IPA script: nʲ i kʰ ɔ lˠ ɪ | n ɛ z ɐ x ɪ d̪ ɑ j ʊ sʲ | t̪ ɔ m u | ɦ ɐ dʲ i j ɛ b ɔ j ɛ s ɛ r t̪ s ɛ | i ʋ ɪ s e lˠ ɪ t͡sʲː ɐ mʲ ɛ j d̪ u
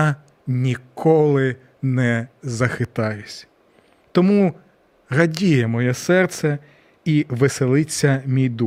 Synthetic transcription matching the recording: nʲ i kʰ ɔ lˠ ɪ | n ɛ z ɐ x ɪ t̪ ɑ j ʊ sʲ | t̪ ɔ m u | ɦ ɐ dʲ i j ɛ m ɔ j ɛ s ɛ r t̪ s ɛ | i ʋ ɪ s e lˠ ɪ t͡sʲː ɐ mʲ i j d̪ u